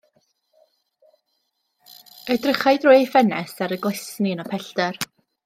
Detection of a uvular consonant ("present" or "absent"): present